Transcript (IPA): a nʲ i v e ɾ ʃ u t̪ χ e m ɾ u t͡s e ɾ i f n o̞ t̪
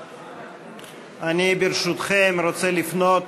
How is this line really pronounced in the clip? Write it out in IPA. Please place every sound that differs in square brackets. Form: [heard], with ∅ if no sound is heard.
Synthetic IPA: a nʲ i [b] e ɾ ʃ u t̪ χ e m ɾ [o] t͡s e [l] i f n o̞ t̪